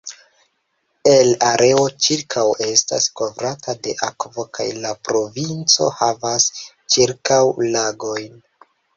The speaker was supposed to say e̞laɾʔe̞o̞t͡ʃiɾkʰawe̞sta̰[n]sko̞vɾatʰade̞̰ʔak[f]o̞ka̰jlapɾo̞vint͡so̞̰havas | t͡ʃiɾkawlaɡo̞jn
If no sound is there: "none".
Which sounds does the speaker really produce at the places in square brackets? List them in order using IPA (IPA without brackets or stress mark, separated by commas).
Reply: none, v